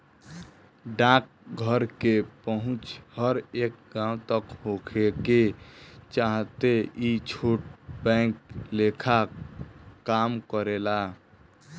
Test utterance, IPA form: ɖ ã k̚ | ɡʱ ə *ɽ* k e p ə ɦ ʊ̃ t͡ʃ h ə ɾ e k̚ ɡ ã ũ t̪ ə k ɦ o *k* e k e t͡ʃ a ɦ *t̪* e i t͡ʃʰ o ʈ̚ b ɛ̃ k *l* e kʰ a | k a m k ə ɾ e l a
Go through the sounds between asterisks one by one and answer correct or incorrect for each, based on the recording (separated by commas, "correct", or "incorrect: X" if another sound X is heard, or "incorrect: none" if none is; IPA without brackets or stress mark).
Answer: incorrect: ɾ, incorrect: kʰ, correct, correct